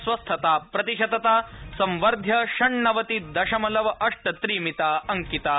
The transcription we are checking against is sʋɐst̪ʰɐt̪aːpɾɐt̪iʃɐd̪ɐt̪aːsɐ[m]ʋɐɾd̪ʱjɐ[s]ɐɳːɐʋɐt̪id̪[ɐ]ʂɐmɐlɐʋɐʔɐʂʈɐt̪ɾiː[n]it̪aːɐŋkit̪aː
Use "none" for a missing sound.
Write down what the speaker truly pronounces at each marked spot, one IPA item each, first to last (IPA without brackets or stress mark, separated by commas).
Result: m, ʃ, ɐ, m